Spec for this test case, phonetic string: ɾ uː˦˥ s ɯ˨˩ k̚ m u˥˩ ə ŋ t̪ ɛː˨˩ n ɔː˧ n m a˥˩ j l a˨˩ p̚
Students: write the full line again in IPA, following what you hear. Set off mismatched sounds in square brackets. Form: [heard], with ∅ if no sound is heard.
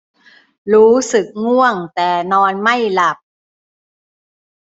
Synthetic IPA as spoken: ɾ uː˦˥ s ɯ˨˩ k̚ [ŋ] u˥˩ ə ŋ t̪ ɛː˨˩ n ɔː˧ n m a˥˩ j l a˨˩ p̚